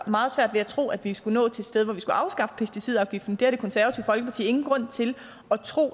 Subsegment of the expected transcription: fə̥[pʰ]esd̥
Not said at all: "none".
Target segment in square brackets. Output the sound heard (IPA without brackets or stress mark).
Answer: pʰ